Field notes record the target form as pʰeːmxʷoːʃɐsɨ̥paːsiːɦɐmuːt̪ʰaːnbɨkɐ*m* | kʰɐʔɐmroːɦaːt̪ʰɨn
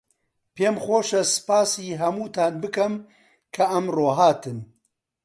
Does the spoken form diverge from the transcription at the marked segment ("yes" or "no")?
no